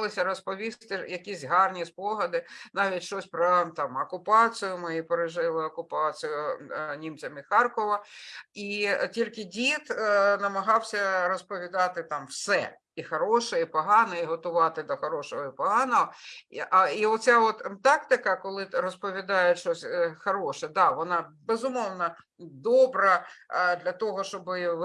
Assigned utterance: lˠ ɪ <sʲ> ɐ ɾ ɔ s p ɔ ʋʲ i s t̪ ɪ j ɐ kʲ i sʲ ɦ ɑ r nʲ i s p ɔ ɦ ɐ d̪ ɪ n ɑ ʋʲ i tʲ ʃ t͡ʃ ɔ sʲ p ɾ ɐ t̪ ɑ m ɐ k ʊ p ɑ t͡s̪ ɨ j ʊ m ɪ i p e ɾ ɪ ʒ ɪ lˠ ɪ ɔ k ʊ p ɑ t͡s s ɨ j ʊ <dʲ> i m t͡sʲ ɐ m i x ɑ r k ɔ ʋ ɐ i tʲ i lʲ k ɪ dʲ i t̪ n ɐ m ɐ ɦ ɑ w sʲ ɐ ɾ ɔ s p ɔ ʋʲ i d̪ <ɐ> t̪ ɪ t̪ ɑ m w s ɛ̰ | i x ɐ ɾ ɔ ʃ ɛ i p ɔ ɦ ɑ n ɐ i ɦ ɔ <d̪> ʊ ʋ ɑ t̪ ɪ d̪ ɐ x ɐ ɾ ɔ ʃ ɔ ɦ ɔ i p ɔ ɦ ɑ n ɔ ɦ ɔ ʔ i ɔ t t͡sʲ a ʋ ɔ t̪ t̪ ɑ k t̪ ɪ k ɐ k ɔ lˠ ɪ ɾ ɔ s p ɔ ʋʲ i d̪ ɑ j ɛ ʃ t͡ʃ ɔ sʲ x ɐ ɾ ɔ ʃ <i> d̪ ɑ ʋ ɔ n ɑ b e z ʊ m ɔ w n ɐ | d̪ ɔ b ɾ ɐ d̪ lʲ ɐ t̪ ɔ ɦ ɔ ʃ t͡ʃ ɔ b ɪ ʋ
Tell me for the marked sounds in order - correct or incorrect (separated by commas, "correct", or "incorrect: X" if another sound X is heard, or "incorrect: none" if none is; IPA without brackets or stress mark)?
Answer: correct, incorrect: nʲ, incorrect: ɑ, incorrect: t̪, incorrect: ɛ